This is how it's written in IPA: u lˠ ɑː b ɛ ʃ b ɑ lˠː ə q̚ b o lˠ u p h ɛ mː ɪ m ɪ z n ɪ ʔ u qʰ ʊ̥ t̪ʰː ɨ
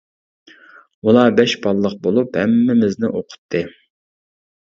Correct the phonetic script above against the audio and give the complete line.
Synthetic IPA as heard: u lˠ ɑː b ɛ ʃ b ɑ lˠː ə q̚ b o lˠ u p h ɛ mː ɪ m ɪ z n ɪ ʔ o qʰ ʊ̥ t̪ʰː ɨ